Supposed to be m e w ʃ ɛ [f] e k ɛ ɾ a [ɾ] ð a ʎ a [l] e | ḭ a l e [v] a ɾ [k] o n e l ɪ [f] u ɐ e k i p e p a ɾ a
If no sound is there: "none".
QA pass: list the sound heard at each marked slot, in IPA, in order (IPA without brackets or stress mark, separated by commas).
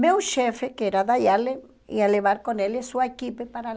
f, none, l, β, k, s